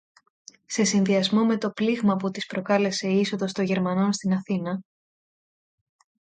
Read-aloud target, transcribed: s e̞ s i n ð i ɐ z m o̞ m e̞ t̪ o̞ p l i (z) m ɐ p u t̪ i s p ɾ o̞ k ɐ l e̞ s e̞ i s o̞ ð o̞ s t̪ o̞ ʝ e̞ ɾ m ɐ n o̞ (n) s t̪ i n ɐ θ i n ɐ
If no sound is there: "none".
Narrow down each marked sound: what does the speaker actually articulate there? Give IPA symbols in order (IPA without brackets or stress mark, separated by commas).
ɣ, n